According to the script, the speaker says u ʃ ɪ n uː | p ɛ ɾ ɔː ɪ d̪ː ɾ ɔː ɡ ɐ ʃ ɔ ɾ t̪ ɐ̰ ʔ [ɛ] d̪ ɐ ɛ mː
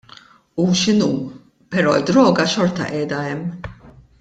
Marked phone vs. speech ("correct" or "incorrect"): incorrect